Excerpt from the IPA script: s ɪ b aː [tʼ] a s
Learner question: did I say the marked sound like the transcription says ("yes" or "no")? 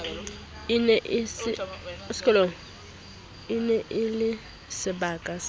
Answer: no